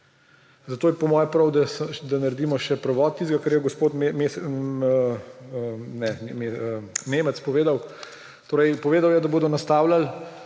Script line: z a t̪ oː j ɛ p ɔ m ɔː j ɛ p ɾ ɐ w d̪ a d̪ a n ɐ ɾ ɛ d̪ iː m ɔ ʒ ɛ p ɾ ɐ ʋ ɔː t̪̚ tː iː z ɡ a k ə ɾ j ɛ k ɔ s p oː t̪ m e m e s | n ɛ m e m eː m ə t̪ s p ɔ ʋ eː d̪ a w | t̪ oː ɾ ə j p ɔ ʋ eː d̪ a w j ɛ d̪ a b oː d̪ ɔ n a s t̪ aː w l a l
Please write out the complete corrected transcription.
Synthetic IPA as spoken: z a t̪ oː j ɛ p ɔ m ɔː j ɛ p ɾ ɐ w d̪ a d̪ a n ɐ ɾ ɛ d̪ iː m ɔ ʃ ɛ p ɾ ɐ ʋ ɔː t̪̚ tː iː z ɡ a k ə ɾ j ɛ ɡ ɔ s p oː t̪ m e m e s | n ɛ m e m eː m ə t̪ s p ɔ ʋ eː d̪ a w | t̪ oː ɾ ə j p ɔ ʋ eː d̪ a w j ɛ d̪ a b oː d̪ ɔ n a s t̪ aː w l a l